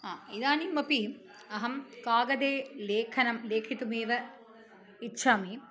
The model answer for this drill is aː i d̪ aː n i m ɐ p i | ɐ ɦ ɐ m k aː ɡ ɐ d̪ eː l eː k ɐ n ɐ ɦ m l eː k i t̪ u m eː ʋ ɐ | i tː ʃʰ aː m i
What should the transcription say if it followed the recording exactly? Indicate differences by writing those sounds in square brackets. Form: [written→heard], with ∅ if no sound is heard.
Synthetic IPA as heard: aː i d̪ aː n i m ɐ p i | ɐ ɦ ɐ m k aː ɡ ɐ d̪ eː l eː [k→kʰ] ɐ n ɐ [ɦ→∅] m l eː [k→kʰ] i t̪ u m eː ʋ ɐ | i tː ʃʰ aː m i